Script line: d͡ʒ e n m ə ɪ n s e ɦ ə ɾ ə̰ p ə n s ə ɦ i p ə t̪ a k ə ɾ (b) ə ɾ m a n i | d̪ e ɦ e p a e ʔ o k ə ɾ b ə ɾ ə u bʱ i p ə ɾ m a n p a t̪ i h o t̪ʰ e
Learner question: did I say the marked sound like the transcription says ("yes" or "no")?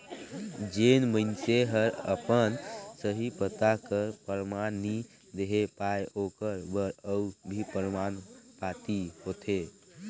no